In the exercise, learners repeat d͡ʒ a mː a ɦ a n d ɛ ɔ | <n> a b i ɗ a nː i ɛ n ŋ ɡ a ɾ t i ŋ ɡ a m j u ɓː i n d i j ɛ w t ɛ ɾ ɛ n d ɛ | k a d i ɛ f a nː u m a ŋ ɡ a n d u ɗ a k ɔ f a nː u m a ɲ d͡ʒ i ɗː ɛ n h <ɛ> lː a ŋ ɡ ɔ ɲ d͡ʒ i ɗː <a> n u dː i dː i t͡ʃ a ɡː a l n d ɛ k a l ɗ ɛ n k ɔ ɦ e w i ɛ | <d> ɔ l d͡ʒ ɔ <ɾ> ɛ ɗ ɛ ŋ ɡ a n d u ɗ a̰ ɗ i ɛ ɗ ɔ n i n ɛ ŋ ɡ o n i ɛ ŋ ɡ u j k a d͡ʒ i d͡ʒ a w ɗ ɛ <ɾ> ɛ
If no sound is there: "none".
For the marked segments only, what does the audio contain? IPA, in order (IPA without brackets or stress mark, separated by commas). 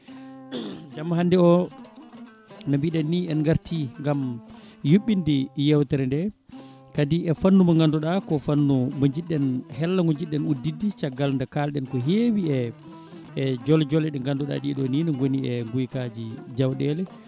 n, ɛ, ɛ, d͡ʒ, l, l